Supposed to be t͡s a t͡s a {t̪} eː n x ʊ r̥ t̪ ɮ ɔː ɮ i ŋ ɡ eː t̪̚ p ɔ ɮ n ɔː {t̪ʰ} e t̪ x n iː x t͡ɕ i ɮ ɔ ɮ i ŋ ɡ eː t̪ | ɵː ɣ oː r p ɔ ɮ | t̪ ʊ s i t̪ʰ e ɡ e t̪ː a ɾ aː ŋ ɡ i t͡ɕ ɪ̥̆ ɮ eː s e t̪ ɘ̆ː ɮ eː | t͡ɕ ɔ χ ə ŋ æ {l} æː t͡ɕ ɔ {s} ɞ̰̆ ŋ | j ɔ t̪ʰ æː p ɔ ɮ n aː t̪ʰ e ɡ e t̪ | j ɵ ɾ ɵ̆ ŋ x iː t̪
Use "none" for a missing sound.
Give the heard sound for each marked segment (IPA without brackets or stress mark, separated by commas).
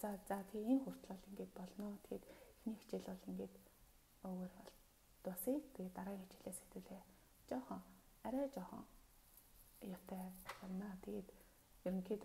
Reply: t̪ʰ, t̪ʰ, ɾ, χ